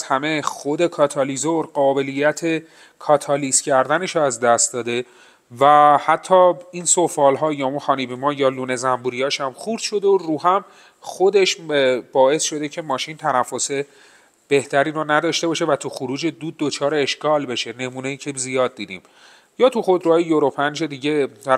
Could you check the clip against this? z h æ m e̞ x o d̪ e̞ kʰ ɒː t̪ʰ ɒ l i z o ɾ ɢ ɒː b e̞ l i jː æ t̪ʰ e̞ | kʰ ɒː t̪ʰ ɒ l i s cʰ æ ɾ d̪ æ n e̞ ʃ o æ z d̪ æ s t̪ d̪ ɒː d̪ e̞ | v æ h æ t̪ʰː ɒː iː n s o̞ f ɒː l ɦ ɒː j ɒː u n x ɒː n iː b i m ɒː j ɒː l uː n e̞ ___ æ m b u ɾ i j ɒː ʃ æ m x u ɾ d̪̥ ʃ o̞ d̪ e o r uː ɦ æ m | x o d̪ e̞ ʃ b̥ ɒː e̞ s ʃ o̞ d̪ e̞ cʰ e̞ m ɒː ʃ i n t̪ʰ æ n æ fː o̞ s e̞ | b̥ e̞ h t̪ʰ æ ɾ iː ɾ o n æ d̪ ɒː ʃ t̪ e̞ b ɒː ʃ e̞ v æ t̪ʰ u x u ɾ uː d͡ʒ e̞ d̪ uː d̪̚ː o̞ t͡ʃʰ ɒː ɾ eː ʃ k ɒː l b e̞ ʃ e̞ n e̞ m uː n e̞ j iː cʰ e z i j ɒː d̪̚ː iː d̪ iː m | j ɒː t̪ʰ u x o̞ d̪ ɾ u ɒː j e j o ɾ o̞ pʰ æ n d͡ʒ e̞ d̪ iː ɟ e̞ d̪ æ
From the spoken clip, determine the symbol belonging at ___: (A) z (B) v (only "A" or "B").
A